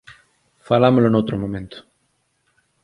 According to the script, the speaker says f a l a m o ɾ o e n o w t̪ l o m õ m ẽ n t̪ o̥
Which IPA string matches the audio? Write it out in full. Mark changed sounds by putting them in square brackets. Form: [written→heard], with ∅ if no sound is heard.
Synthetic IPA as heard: f a l a m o [ɾ→l] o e n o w t̪ [l→ɾ] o m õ m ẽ n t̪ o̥